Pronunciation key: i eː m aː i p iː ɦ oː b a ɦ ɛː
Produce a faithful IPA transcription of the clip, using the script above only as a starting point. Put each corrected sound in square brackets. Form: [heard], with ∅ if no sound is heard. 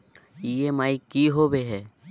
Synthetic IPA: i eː m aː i [k] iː ɦ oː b [e] ɦ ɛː